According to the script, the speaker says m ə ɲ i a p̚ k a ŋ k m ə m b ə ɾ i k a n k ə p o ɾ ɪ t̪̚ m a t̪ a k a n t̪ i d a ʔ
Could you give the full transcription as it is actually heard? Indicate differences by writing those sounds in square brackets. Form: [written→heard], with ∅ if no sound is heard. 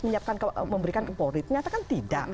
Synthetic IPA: m ə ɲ i a p̚ k a [ŋ→n] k m ə m b ə ɾ i k a n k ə p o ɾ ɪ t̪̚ [m→ɲ] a t̪ a k a n t̪ i d a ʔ

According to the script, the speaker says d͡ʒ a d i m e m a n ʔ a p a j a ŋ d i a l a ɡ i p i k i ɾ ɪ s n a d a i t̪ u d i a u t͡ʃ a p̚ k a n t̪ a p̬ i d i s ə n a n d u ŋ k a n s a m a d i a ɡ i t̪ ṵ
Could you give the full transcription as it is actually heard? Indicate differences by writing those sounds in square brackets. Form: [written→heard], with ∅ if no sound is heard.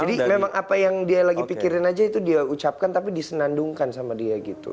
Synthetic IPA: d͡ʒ a d i m e m a [n→ŋ] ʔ a p a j a ŋ d i a l a ɡ i p i k i ɾ ɪ [s→∅] n a [d→d͡ʒ] a i t̪ u d i a u t͡ʃ a p̚ k a n t̪ a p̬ i d i s ə n a n d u ŋ k a n s a m a d i a ɡ i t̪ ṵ

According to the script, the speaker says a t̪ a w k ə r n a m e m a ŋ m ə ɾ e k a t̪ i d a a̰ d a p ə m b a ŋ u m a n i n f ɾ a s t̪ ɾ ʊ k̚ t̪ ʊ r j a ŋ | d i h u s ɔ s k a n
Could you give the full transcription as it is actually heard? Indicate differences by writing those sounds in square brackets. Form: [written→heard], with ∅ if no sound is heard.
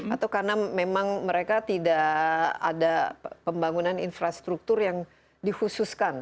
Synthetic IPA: a t̪ a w k [ə→a] r n a m e m a ŋ m ə ɾ e k a t̪ i d a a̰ d a p ə m b a ŋ u [m→n] a n i n f ɾ a s t̪ ɾ [ʊ→u] k̚ t̪ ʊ r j a ŋ | d i h u s [ɔ→u] s k a n

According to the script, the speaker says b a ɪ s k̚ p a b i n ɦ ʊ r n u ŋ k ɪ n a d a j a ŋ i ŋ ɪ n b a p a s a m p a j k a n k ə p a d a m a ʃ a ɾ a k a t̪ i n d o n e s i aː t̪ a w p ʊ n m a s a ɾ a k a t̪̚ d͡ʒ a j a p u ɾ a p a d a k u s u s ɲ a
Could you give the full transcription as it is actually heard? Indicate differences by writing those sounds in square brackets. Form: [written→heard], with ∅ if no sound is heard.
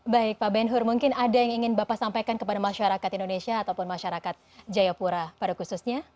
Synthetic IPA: b a ɪ [s→∅] k̚ p a b [i→ɛ] n ɦ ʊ r [n→m] u ŋ k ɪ n a d a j a ŋ i ŋ ɪ n b a p a s a m p a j k a n k ə p a d a m a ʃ a ɾ a k a t̪ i n d o n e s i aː t̪ a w p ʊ n m a [s→ʃ] a ɾ a k a t̪̚ d͡ʒ a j a p u ɾ a p a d a k u s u s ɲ a

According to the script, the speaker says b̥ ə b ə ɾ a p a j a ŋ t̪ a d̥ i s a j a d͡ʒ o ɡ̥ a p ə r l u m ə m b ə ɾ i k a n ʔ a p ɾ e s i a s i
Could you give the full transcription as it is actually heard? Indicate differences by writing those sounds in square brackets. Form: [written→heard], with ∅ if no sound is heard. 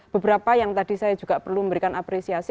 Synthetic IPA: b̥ ə b ə ɾ a p a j a ŋ t̪ a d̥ i s a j a d͡ʒ [o→u] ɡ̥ a p ə r l u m ə m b ə ɾ i k a n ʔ a p ɾ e s i a s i

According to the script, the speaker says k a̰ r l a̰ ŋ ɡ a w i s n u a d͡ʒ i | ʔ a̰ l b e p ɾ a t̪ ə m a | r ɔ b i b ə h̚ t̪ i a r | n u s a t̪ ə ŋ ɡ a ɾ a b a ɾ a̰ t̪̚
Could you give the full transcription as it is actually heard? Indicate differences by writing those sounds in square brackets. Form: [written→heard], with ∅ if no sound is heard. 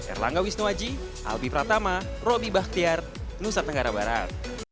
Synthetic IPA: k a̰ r l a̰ ŋ ɡ a w i s n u a d͡ʒ i | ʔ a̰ l b [e→i] p ɾ a t̪ [ə→a] m a | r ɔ b i b [ə→a] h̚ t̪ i a r | n u s a t̪ ə ŋ ɡ a ɾ a b a ɾ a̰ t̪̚

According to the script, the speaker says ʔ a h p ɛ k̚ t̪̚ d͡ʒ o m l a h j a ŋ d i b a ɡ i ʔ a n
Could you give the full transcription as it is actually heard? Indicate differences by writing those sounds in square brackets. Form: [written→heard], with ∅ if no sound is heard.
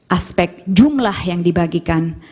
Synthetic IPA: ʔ a [h→s] p ɛ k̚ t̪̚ d͡ʒ [o→u] m l a h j a ŋ d i b a ɡ i [ʔ→k] a n

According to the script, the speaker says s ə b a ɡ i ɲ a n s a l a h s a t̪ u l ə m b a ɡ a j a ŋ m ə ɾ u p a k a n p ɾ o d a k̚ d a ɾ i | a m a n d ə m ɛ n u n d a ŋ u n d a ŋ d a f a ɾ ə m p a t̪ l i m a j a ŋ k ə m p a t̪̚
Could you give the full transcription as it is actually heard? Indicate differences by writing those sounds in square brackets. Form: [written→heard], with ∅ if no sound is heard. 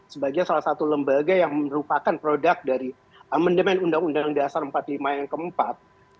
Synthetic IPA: s ə b a ɡ i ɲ a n s a l a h s a t̪ u l ə m b a ɡ a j a ŋ m ə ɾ u p a k a n p ɾ o d a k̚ d a ɾ i | a m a n d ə m ɛ n u n d a ŋ u n d a ŋ d a [f→s] a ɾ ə m p a t̪ l i m a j a ŋ k ə m p a t̪̚

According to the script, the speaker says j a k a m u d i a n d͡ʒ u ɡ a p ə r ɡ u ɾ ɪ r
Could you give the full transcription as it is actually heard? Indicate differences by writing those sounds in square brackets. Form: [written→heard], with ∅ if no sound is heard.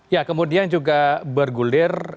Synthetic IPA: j a k [a→ə] m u d i a n d͡ʒ u ɡ a [p→b] ə r ɡ u [ɾ→l] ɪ r

